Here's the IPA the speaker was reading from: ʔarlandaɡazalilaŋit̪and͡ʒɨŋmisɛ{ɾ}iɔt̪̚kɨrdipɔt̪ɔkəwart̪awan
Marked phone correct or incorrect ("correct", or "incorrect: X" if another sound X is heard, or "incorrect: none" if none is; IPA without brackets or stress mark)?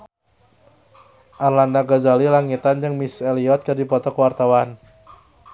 incorrect: l